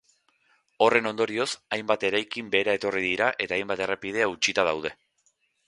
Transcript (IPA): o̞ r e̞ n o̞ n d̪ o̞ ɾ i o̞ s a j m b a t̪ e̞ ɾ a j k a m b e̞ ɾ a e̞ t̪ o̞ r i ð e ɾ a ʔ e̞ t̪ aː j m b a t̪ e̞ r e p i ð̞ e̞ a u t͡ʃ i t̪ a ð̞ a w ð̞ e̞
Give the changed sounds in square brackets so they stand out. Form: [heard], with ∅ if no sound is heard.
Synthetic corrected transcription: o̞ r e̞ n o̞ n d̪ o̞ ɾ i o̞ s a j m b a t̪ e̞ ɾ a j k [i] m b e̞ ɾ a e̞ t̪ o̞ r i ð [i] ɾ a ʔ e̞ t̪ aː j m b a t̪ e̞ r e p i ð̞ e̞ a u t͡ʃ i t̪ a ð̞ a w ð̞ e̞